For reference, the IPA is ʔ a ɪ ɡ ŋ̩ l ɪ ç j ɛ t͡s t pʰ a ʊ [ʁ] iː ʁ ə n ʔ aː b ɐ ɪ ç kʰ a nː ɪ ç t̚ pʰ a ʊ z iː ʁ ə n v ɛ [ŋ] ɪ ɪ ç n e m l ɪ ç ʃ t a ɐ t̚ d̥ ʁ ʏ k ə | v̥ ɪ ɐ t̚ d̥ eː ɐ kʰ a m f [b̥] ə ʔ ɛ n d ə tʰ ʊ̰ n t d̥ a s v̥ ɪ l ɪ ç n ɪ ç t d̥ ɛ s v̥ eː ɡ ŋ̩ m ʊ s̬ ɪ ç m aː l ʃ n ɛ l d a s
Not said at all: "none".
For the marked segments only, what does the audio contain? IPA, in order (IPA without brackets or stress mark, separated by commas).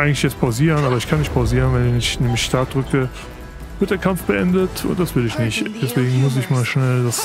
z, n, b̥